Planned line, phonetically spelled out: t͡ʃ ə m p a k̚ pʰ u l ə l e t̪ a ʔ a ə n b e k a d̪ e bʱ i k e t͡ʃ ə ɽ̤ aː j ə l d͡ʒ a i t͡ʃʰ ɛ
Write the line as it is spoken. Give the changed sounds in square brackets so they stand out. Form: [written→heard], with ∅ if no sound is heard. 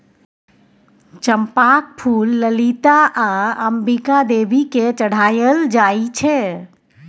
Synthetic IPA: t͡ʃ ə m p a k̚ pʰ u [l→lː] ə l [e→i] t̪ a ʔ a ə [n→m] b [e→i] k a d̪ e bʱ i k e t͡ʃ ə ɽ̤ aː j ə l d͡ʒ a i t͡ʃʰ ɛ

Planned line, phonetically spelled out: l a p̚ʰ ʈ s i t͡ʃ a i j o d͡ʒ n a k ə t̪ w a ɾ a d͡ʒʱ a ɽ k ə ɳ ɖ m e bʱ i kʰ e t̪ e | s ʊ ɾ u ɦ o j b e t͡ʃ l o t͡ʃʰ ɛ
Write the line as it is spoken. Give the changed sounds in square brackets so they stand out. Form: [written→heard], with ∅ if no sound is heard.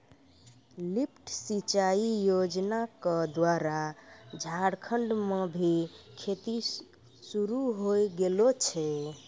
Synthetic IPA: l [a→i] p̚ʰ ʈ s i t͡ʃ a i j o d͡ʒ n a k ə [t̪→d̪] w a ɾ a d͡ʒʱ a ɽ [k→kʰ] ə ɳ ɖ m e bʱ i kʰ e t̪ [e→i] | s [ʊ→u] ɾ u ɦ o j [b→ɡ] e [t͡ʃ→∅] l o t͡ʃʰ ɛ

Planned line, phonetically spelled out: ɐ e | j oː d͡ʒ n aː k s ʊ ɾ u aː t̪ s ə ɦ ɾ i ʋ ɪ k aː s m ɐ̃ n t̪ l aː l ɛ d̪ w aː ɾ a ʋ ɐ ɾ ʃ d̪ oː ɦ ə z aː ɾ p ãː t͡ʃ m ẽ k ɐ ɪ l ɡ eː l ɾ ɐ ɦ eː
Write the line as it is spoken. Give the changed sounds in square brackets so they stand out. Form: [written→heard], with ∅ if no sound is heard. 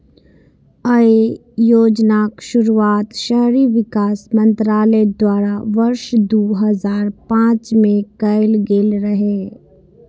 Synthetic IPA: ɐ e | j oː d͡ʒ n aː k [s→ʃ] ʊ ɾ u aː t̪ [s→ʃ] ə ɦ ɾ i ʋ ɪ k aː s m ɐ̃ n t̪ [l→ɾ] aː l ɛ d̪ w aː ɾ a ʋ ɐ ɾ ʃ d̪ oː ɦ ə z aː ɾ p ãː t͡ʃ m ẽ k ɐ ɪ l ɡ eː l ɾ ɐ ɦ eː

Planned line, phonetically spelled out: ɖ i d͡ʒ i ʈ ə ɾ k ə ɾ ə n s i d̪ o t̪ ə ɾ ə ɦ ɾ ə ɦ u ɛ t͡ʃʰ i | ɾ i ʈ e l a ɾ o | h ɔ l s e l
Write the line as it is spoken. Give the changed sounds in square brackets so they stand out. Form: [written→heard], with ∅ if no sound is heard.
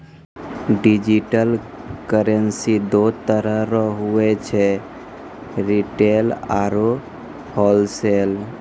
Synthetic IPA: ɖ i d͡ʒ i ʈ ə [ɾ→l] k ə ɾ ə n s i d̪ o t̪ ə ɾ ə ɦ ɾ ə ɦ u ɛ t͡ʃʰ [i→ɛ] | ɾ i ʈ e l a ɾ o | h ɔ l s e l

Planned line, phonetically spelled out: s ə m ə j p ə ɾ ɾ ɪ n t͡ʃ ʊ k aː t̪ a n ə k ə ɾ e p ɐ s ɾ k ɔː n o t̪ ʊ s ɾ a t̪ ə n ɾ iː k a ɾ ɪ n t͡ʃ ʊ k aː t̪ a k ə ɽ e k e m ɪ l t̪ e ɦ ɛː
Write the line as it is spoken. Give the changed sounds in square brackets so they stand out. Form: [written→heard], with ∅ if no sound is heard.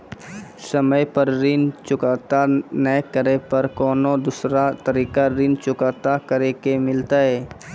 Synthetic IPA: s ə m ə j p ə ɾ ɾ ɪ n t͡ʃ ʊ k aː t̪ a n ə k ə ɾ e p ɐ [s→∅] ɾ k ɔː n o [t̪→d̪] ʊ s ɾ a t̪ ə [n→∅] ɾ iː k a ɾ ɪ n t͡ʃ ʊ k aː t̪ a k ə [ɽ→ɾ] e k e m ɪ l t̪ [e→a] ɦ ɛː

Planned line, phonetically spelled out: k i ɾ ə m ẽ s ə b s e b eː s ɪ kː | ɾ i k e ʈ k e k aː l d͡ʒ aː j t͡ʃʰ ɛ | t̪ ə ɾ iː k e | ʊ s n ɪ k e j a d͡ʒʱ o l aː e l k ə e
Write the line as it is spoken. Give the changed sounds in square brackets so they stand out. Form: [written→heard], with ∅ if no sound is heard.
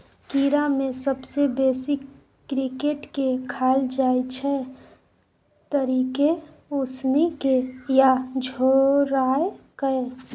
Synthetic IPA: k i ɾ [ə→a] m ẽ s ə b s e b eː s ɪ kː | ɾ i k e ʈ k e [k→kʰ] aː l d͡ʒ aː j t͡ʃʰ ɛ | t̪ ə ɾ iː k e | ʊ s n [ɪ→i] k e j a d͡ʒʱ o [l→ɾ] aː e [l→∅] k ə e

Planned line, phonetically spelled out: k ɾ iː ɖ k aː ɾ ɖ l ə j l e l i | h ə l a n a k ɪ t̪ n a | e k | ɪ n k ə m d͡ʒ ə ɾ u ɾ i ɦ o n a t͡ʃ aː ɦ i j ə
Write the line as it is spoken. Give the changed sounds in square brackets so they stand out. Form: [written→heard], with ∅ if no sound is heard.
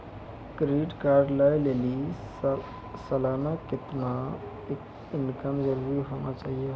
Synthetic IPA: k ɾ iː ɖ k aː ɾ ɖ l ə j l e l i | [h→s] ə l a n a k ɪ t̪ n a | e k | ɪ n k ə m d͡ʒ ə ɾ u ɾ i ɦ o n a t͡ʃ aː ɦ i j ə

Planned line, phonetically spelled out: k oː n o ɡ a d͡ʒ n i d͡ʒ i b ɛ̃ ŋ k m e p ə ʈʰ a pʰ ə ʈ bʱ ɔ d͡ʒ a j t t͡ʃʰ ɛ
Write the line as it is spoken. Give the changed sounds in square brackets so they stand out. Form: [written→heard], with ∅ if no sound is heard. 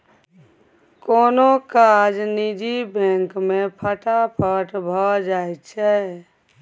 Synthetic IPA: k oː n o [ɡ→k] a d͡ʒ n i d͡ʒ i b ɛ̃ ŋ k m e [p→pʰ] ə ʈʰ a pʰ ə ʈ bʱ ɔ d͡ʒ a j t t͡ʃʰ ɛ

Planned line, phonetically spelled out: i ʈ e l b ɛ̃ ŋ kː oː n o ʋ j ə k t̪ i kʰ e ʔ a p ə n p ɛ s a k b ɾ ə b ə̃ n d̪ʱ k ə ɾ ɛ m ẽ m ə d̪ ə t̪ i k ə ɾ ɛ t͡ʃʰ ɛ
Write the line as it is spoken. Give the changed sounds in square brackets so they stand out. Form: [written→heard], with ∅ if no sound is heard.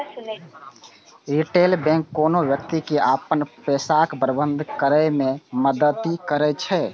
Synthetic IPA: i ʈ e l b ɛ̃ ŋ kː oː n o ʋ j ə k t̪ i [kʰ→k] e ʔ a p ə n p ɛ s a k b ɾ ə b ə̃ n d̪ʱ k ə ɾ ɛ m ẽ m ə d̪ ə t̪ i k ə ɾ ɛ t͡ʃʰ ɛ

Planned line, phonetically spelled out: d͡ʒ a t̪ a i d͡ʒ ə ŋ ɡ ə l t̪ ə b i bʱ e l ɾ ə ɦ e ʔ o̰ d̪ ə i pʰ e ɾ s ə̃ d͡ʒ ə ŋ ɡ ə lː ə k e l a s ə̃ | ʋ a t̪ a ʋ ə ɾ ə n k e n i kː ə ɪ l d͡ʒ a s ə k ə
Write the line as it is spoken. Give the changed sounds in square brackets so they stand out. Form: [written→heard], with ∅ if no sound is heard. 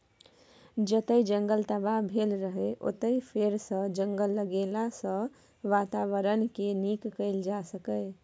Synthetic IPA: d͡ʒ [a→ə] t̪ [a→ə] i d͡ʒ ə ŋ ɡ ə l t̪ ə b [i→a] bʱ e l ɾ ə ɦ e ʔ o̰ [d̪→t̪] ə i pʰ e ɾ s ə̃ d͡ʒ ə ŋ ɡ ə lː ə [k→ɡ] e l a s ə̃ | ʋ a t̪ a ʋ ə ɾ ə n k e n i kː ə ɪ l d͡ʒ a s ə k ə

